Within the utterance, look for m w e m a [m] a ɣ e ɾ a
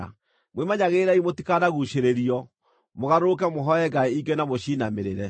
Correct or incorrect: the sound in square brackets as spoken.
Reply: incorrect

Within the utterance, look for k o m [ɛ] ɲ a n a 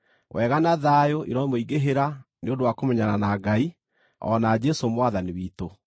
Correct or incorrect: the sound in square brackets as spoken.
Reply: correct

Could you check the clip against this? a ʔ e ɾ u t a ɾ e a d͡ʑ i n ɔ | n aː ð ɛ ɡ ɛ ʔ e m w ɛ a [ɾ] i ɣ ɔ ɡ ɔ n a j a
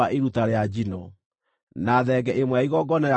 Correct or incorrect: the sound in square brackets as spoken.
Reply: incorrect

